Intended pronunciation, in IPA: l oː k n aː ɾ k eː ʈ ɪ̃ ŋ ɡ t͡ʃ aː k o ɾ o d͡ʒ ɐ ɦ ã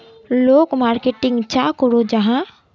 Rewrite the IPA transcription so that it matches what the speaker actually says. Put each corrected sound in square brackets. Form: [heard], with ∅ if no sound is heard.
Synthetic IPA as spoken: l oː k [m] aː ɾ k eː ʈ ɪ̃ ŋ ɡ t͡ʃ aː k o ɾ o d͡ʒ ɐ ɦ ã